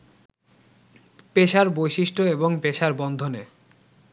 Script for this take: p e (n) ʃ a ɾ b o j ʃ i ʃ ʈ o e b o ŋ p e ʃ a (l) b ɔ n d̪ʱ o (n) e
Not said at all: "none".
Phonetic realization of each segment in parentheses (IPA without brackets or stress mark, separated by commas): none, ɾ, n